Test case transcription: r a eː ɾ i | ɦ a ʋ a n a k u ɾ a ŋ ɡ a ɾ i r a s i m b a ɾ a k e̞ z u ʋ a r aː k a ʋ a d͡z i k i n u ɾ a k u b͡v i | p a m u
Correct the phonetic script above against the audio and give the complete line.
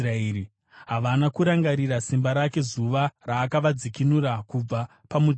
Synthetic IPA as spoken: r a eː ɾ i | ɦ a ʋ a n a k u ɾ a ŋ ɡ a ɾ i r a s i m b a ɾ a k e̞ z u ʋ a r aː k a ʋ a d͡z i k i n u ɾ a k u b͡v a | p a m u